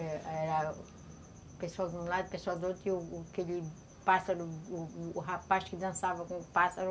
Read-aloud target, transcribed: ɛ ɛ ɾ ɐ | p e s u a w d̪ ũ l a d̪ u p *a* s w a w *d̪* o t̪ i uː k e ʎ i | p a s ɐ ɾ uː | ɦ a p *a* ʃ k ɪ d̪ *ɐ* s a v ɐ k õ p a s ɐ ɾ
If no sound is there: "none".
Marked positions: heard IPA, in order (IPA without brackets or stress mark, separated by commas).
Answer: e, d̪, a, ɐ̃